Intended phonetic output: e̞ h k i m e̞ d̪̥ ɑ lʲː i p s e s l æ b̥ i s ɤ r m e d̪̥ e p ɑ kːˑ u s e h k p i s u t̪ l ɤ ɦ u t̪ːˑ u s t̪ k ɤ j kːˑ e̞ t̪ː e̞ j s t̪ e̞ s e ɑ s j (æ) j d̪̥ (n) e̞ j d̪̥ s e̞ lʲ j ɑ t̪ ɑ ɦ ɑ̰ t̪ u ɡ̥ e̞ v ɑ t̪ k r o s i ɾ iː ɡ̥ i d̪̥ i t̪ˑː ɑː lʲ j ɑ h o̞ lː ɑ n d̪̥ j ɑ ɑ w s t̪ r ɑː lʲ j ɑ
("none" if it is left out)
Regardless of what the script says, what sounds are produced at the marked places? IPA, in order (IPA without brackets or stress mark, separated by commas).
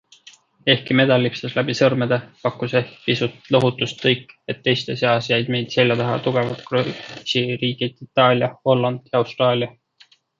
æ, m